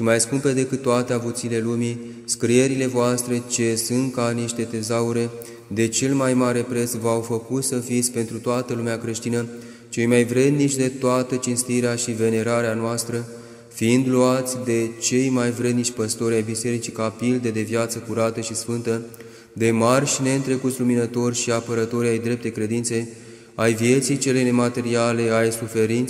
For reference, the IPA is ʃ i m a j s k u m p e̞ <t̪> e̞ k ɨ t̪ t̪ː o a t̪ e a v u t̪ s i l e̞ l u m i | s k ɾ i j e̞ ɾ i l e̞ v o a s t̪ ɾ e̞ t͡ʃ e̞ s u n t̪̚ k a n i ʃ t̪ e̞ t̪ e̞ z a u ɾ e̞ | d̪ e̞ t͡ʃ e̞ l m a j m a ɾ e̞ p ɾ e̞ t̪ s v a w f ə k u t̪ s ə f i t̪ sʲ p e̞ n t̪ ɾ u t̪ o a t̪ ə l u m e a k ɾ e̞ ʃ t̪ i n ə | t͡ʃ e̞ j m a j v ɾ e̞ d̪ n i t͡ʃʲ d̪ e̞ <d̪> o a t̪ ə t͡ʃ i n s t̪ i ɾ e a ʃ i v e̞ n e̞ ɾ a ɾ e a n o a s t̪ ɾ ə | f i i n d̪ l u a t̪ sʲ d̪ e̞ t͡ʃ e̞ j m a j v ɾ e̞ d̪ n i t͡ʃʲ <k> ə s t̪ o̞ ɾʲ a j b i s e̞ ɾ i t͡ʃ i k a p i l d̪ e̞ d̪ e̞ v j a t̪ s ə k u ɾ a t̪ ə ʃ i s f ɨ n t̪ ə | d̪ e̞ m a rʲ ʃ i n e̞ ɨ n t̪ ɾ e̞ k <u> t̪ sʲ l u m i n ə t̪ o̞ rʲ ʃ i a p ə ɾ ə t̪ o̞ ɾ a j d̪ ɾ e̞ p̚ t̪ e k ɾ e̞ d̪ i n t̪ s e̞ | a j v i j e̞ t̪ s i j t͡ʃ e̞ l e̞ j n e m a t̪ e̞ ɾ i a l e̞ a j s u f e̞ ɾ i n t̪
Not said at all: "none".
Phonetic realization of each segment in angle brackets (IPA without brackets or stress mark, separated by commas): d̪, t̪, p, u